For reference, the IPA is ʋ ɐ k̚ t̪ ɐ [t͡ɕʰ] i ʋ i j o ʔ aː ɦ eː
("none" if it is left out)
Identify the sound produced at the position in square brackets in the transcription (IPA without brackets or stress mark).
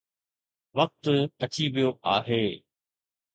t͡ɕ